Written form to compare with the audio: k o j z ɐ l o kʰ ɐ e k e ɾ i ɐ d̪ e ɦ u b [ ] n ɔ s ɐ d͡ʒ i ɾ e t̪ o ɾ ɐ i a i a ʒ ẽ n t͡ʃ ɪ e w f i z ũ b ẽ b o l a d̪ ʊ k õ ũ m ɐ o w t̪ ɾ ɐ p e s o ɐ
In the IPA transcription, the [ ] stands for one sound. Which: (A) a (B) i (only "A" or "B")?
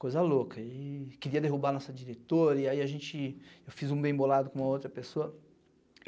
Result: A